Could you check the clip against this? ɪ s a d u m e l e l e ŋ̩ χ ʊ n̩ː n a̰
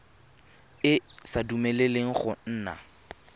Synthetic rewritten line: ɪ s a d u m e l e l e ŋ̩ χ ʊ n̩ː n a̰